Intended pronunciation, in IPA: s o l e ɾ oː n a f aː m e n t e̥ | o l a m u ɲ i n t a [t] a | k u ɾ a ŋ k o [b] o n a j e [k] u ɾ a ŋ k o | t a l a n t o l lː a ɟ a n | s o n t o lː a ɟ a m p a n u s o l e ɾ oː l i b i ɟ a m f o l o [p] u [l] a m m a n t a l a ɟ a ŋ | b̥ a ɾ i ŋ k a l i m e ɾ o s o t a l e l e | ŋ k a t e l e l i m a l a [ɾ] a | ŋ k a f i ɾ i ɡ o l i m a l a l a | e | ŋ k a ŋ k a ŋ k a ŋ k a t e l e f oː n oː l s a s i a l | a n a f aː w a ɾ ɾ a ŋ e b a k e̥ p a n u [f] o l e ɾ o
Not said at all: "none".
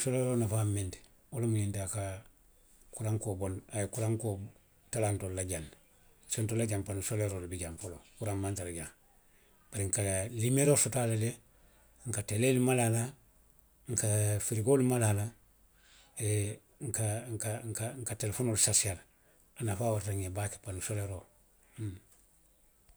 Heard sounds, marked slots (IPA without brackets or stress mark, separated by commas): k, b, k, k, ɾ, l, s